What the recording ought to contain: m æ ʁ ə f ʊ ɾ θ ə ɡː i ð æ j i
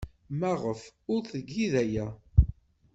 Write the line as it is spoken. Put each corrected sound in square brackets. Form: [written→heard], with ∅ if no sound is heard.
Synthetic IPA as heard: m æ ʁ ə f ʊ ɾ θ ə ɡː i ð æ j [i→æ]